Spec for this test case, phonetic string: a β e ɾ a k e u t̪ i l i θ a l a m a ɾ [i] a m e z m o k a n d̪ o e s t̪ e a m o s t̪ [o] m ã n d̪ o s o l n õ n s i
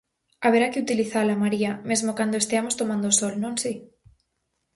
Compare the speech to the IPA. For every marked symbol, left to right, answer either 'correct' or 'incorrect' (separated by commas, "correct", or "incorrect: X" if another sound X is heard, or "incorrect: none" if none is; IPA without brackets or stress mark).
correct, correct